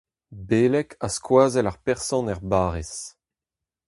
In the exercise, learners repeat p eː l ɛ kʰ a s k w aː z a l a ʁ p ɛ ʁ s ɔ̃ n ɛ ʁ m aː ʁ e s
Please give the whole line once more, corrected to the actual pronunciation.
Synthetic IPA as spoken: b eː l ɛ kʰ a s k w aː z ɛ l a ʁ p ɛ ʁ s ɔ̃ n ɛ ʁ b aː ʁ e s